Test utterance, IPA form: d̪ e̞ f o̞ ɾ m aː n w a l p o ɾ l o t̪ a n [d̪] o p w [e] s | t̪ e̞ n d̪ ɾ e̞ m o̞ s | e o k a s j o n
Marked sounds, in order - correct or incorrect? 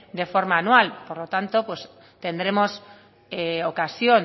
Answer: incorrect: t̪, correct

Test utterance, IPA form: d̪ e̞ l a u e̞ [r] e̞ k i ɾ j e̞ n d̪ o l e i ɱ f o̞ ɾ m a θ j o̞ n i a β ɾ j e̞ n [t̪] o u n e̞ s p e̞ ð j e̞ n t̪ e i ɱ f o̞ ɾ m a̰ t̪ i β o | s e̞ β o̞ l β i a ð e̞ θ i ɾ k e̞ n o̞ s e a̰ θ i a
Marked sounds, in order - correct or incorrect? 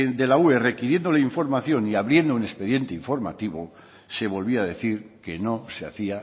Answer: correct, incorrect: d̪

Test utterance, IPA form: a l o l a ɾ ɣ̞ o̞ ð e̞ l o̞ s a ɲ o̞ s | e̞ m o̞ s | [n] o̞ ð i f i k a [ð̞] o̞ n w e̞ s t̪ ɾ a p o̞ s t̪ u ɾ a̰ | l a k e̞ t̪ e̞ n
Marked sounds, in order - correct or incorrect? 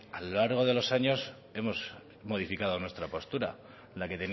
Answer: incorrect: m, correct

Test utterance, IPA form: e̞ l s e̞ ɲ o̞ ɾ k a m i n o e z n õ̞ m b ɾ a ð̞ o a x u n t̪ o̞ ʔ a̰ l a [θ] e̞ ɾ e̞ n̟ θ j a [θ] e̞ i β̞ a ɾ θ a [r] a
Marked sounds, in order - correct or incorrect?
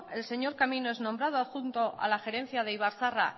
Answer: incorrect: x, incorrect: ð, correct

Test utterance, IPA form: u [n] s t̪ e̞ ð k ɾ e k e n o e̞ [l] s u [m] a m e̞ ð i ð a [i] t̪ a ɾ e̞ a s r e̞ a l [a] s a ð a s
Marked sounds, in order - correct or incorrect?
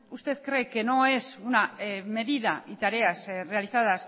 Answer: incorrect: none, incorrect: none, incorrect: n, correct, incorrect: i

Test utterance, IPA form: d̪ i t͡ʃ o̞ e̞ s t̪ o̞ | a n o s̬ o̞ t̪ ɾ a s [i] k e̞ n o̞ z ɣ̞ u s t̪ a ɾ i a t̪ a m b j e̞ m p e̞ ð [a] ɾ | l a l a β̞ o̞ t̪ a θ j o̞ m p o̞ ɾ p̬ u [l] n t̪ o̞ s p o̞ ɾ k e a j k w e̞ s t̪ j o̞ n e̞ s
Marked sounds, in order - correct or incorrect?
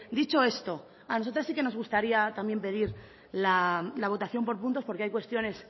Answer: correct, incorrect: i, incorrect: none

